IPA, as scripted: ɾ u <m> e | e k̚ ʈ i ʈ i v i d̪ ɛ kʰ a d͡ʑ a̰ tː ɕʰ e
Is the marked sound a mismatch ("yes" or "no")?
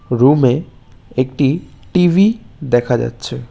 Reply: no